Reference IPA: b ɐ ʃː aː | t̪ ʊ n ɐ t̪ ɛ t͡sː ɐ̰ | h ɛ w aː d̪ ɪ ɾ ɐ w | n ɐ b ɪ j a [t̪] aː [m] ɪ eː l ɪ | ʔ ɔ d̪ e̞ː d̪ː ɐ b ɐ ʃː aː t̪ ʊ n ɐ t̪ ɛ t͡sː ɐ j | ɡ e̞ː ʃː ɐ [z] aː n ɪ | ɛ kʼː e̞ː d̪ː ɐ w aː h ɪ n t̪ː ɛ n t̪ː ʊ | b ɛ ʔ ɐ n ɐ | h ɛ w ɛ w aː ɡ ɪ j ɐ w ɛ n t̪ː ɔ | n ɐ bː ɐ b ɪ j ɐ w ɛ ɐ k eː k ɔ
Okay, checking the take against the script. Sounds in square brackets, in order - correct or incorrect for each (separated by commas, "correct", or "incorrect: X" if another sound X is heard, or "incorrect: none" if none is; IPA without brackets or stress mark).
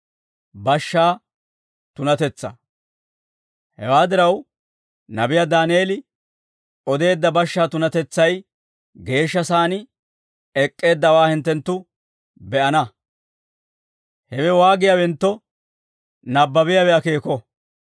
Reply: incorrect: d̪, incorrect: n, incorrect: s